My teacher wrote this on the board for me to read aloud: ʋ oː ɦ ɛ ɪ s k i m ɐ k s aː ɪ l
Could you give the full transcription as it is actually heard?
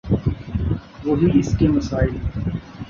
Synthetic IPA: ʋ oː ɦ i ɪ s k e m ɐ s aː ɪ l